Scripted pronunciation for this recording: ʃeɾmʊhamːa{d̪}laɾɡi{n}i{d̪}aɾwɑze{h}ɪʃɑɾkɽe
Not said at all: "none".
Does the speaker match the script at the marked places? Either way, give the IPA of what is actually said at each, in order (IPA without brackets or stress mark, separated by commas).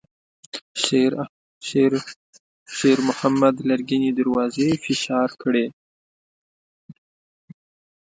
d̪, n, d̪, f